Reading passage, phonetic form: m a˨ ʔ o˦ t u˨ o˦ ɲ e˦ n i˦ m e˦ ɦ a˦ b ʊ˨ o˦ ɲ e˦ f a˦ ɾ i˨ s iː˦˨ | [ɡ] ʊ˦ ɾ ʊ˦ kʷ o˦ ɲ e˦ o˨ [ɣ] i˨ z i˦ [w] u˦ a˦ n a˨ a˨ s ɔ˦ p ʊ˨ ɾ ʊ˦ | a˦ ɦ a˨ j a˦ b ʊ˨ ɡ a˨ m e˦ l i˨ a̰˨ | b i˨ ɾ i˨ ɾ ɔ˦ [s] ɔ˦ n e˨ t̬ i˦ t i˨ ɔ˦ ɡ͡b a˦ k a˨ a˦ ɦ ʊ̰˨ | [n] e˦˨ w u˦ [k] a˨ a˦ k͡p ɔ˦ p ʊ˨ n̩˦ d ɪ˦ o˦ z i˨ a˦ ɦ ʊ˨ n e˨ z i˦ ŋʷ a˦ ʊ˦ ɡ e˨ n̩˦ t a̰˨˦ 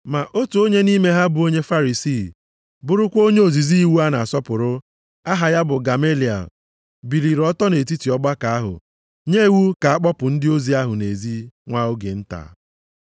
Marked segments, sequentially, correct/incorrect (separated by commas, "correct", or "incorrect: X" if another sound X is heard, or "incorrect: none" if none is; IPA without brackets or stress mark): incorrect: b, incorrect: z, correct, incorrect: t, incorrect: ɲ, correct